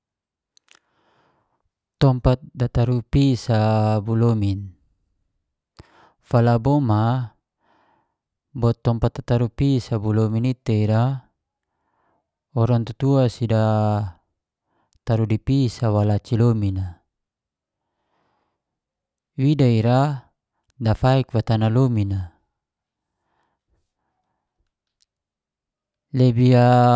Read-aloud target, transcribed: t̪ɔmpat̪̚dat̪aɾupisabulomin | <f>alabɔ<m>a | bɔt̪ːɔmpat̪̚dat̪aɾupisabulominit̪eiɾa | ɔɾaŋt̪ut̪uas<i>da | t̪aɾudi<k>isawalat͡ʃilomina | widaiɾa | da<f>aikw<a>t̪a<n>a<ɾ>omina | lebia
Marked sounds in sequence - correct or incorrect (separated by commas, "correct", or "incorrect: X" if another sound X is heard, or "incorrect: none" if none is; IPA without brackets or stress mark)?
correct, correct, correct, incorrect: p, correct, correct, correct, incorrect: l